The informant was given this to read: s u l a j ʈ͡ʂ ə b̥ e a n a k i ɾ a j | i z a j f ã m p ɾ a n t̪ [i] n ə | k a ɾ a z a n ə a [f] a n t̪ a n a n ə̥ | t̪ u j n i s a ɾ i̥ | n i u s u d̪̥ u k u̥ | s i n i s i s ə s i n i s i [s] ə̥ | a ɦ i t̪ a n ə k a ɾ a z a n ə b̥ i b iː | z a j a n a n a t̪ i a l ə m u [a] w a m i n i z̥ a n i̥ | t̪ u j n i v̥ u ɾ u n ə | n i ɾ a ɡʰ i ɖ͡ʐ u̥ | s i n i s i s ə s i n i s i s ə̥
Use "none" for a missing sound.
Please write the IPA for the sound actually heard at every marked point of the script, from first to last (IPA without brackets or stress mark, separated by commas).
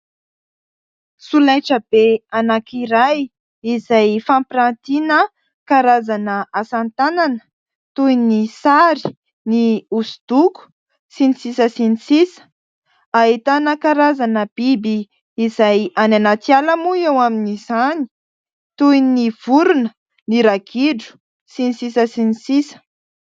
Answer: i, s, s, e